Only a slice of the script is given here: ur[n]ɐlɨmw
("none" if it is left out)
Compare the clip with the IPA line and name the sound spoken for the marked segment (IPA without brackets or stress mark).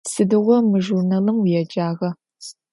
n